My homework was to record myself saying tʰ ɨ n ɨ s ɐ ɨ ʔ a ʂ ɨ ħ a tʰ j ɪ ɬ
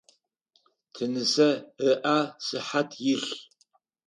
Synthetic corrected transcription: tʰ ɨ n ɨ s ɐ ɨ ʔ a s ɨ ħ a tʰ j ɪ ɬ